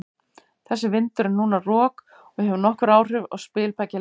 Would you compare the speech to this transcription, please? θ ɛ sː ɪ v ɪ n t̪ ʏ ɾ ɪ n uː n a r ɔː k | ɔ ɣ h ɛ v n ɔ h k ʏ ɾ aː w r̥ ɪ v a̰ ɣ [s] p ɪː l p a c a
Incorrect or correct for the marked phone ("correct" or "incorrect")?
correct